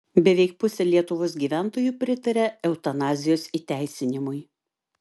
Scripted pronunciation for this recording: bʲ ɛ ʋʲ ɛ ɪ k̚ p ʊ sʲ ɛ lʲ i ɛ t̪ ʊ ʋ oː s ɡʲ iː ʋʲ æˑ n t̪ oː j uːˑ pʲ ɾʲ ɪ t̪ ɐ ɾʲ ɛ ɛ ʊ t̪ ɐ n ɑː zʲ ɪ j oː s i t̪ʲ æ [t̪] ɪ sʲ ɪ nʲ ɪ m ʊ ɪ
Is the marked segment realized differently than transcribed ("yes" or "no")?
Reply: yes